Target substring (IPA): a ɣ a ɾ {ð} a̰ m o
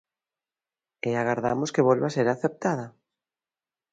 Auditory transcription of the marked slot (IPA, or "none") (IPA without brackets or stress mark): ð